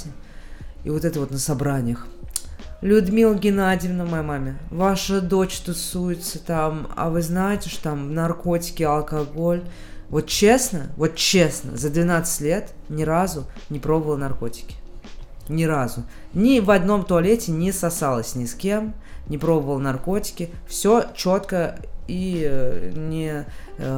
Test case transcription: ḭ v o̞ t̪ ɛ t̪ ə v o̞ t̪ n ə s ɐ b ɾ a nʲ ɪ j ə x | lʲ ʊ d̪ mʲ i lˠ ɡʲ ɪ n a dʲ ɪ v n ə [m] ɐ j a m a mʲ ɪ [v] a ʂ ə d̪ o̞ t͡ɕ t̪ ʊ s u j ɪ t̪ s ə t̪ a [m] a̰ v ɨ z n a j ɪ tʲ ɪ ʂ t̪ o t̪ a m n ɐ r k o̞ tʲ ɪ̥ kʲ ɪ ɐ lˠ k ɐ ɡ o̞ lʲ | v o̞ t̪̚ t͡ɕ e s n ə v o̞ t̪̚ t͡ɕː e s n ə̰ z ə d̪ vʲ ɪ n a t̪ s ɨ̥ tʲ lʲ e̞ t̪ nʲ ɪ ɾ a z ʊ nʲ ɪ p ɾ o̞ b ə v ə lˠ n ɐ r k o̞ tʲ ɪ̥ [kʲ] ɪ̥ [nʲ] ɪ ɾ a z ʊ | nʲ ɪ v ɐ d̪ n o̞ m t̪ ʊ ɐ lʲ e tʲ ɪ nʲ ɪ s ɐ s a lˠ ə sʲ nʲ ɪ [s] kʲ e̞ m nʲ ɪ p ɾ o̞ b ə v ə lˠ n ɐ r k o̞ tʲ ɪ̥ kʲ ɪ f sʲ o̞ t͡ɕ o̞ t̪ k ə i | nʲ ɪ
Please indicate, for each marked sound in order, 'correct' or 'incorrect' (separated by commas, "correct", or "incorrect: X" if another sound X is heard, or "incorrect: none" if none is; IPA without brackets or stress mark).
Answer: correct, correct, correct, correct, correct, correct